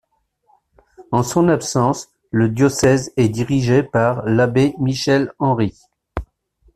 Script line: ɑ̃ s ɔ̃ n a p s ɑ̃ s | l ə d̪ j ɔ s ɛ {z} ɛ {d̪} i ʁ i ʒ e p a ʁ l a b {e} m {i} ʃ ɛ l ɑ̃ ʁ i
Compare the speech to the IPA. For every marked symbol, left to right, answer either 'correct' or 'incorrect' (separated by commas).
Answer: correct, correct, correct, correct